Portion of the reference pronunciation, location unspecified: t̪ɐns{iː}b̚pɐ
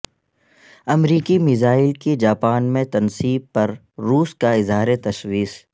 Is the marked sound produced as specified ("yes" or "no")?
yes